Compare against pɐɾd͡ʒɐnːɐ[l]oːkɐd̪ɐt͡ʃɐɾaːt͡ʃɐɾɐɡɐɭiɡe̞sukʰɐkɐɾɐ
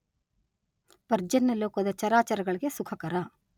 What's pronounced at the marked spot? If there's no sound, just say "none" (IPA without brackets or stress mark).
l